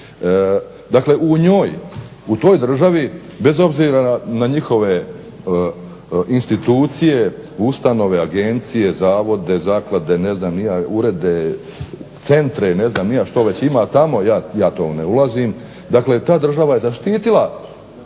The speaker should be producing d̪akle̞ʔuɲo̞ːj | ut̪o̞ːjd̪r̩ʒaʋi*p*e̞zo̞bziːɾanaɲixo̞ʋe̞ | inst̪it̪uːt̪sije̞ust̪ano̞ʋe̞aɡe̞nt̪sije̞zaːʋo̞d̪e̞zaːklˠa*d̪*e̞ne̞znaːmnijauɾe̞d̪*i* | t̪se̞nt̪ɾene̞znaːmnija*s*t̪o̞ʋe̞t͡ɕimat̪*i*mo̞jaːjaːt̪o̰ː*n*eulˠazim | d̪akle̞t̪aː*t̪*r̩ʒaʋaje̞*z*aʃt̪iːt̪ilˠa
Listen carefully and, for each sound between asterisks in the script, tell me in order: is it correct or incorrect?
incorrect: b, correct, incorrect: e, incorrect: ʃ, incorrect: a, correct, incorrect: d̪, correct

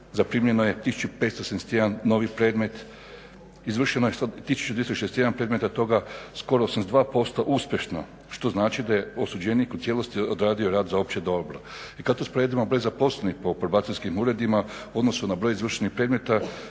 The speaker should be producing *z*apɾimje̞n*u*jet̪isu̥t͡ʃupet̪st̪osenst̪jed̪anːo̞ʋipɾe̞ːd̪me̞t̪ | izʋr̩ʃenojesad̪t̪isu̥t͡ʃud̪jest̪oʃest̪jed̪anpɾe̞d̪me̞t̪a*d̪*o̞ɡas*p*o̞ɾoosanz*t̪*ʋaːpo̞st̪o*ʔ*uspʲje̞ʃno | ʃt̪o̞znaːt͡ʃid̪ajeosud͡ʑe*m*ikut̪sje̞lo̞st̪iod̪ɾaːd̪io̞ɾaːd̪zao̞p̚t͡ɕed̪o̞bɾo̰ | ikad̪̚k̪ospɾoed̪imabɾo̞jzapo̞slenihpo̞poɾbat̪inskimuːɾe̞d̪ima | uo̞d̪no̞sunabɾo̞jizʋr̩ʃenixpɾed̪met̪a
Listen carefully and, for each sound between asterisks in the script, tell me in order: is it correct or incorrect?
correct, incorrect: o, incorrect: t̪, incorrect: k, incorrect: d̪, correct, incorrect: n

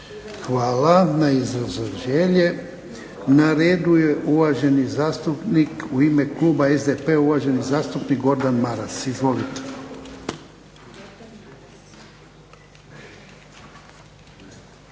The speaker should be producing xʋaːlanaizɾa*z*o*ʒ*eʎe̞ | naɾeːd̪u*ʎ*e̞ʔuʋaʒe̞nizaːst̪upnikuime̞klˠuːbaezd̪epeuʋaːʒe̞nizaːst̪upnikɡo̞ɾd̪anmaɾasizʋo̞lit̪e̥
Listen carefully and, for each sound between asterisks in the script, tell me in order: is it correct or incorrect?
correct, correct, incorrect: j

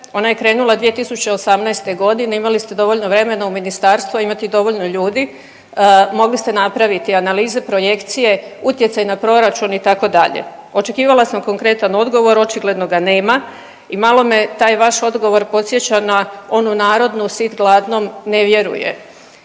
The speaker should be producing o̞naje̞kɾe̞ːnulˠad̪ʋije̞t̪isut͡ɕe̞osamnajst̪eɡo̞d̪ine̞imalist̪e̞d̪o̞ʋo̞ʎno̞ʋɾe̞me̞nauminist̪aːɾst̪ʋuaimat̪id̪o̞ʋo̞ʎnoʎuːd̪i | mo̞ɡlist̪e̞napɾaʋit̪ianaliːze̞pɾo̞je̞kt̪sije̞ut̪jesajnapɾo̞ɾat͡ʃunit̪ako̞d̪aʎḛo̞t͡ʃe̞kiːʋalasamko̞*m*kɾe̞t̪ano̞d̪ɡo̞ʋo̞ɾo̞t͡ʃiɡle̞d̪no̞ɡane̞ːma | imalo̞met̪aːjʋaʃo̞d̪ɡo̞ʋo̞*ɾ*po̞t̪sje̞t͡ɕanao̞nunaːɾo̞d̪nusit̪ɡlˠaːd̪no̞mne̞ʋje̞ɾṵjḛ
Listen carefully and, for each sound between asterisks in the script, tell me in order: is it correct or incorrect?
incorrect: ŋ, correct

